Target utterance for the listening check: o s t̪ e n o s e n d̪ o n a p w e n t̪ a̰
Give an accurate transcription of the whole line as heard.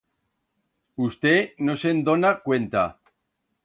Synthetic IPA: u s t̪ e n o s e n d̪ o n a k w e n t̪ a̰